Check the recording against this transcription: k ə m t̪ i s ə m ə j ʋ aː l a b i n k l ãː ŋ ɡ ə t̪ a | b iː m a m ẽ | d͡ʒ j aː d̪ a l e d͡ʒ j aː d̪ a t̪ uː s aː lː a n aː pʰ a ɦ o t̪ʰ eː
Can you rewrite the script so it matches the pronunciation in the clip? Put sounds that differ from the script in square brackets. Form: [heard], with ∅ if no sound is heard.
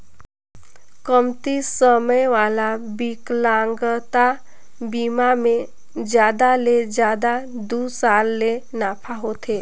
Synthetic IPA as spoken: k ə m t̪ i s ə m ə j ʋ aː l a b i [∅] k l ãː ŋ ɡ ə t̪ a | b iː m a m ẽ | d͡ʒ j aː d̪ a l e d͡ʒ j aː d̪ a [d̪] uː s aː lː [e] n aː pʰ a ɦ o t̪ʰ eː

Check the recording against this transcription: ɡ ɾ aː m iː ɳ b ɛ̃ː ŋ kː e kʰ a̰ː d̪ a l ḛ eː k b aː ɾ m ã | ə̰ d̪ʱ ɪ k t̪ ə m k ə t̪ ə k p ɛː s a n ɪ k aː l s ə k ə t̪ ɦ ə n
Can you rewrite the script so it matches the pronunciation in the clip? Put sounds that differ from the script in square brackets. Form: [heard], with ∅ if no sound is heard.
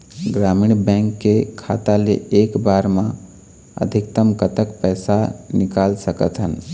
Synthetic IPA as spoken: ɡ ɾ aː m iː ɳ b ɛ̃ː ŋ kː e kʰ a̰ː [t̪] a l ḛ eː k b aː ɾ m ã | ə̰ d̪ʱ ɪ k t̪ ə m k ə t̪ ə k p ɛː s a n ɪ k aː l s ə k ə t̪ ɦ ə n

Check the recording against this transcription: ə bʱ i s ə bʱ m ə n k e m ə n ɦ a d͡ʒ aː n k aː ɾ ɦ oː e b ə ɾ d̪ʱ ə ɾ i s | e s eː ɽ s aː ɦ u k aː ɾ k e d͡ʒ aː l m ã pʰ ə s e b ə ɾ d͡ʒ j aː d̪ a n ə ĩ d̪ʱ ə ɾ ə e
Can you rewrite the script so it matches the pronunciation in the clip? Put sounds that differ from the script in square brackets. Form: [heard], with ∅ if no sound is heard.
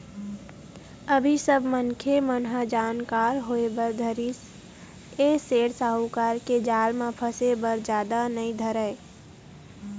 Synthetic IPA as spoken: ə bʱ i s ə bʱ m ə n [kʰ] e m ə n ɦ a d͡ʒ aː n k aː ɾ ɦ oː e b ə ɾ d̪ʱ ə ɾ i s | e s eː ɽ s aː ɦ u k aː ɾ k e d͡ʒ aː l m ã pʰ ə s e b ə ɾ d͡ʒ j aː d̪ a n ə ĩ d̪ʱ ə ɾ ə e

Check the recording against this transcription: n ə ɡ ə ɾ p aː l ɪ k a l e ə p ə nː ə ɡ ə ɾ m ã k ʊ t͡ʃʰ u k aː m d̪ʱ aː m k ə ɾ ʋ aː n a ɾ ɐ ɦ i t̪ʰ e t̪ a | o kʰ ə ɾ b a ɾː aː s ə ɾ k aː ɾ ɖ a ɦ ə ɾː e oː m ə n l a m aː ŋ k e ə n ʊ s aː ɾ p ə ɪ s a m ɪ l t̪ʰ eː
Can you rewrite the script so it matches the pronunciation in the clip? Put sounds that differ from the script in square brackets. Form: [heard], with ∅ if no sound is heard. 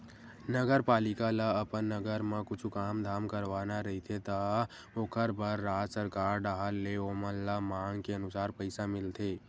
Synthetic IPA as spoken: n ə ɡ ə ɾ p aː l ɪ k a l [a] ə p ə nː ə ɡ ə ɾ m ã k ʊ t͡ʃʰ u k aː m d̪ʱ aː m k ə ɾ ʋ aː n a ɾ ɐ ɦ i t̪ʰ e t̪ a | o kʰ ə ɾ b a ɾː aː s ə ɾ k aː ɾ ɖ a ɦ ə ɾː e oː m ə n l a m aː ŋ k e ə n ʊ s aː ɾ p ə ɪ s a m ɪ l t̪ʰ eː

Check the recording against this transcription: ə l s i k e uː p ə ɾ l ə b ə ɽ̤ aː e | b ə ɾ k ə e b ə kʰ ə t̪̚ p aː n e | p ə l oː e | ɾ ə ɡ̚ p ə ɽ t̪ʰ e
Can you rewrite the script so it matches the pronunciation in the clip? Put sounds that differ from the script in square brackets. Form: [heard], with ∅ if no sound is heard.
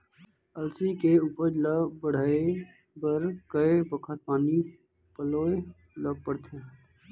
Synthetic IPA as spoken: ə l s i k e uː p ə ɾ l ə b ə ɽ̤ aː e | b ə ɾ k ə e b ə kʰ ə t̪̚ p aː n [i] | p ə l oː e | [l] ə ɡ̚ p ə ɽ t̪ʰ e

